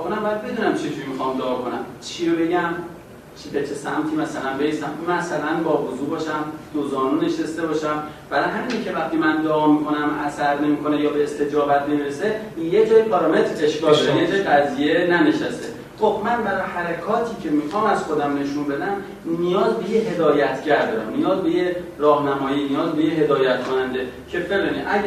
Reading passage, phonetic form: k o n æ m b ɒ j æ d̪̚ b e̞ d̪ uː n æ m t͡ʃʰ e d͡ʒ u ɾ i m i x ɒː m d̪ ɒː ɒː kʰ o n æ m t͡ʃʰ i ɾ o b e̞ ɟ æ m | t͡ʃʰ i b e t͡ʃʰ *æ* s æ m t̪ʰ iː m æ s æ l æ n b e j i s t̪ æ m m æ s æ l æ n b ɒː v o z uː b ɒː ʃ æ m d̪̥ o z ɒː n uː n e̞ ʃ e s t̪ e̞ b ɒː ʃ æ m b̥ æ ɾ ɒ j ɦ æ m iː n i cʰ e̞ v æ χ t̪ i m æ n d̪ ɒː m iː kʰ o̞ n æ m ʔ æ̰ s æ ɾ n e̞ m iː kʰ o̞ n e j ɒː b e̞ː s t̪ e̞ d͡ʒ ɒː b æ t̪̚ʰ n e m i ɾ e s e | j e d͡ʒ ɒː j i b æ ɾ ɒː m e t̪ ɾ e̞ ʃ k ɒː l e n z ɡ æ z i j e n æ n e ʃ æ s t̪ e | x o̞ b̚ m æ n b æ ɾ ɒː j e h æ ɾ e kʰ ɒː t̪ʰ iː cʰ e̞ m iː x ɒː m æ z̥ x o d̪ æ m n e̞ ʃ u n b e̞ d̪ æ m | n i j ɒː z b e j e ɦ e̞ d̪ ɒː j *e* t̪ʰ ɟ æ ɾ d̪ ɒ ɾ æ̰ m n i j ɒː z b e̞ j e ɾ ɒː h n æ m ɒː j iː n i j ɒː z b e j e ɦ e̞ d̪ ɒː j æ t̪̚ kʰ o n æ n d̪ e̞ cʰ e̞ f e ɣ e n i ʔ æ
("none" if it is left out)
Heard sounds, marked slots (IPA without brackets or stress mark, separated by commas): e, æ